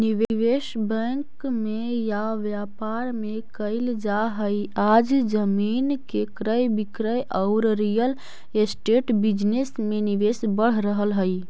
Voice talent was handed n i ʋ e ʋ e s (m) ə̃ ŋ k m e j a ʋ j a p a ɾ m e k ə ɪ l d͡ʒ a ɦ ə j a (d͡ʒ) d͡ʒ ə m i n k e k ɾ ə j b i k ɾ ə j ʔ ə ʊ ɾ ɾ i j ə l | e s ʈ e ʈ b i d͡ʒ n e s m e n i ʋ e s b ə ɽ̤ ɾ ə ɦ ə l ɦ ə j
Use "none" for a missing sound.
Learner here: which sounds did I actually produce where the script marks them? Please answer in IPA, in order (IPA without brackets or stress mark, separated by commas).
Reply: b, d͡ʒ